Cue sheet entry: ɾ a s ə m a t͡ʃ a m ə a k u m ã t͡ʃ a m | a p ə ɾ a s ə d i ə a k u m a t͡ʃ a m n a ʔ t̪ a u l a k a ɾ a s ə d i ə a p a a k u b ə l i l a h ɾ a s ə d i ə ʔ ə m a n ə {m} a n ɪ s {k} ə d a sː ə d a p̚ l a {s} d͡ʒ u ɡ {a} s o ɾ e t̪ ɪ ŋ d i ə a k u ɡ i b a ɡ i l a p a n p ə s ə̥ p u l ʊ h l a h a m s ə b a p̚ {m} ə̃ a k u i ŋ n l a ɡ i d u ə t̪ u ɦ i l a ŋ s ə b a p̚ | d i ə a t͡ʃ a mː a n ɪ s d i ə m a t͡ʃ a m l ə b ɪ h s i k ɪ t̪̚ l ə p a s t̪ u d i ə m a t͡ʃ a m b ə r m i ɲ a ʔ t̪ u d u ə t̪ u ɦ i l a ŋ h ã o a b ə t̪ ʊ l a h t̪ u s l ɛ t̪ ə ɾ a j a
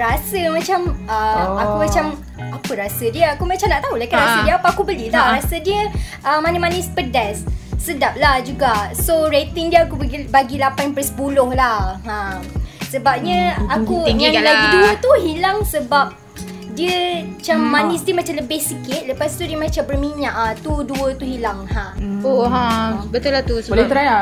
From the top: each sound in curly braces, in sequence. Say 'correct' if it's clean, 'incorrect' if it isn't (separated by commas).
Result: correct, incorrect, incorrect, correct, incorrect